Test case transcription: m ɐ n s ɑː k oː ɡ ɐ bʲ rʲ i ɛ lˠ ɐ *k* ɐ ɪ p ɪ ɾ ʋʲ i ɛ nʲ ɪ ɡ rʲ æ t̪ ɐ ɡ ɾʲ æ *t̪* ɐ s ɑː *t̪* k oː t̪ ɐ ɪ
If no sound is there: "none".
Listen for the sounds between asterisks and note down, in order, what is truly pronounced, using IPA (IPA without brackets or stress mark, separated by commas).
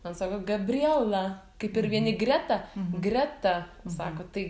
k, t̪, none